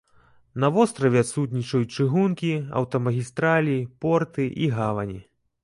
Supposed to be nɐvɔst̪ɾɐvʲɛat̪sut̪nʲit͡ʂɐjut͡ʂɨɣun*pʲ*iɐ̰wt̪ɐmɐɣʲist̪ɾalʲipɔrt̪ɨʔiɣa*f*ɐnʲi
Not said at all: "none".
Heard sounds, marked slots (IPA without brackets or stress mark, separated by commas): kʲ, v